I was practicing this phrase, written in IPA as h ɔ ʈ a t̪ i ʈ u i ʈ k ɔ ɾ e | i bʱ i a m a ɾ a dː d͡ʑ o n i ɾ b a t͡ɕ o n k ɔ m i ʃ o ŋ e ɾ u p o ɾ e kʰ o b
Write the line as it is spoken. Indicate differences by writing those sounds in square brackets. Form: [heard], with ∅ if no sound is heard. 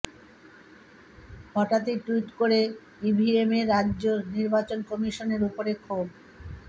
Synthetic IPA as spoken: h ɔ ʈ a t̪ i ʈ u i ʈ k [o] ɾ e | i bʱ i [e] m [e] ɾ a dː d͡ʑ o n i ɾ b a t͡ɕ o n k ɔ m i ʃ o [n] e ɾ u p o ɾ e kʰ o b